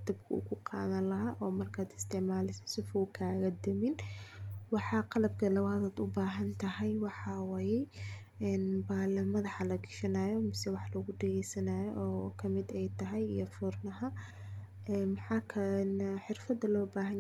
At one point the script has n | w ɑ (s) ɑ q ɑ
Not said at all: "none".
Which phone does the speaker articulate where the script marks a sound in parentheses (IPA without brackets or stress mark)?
ħ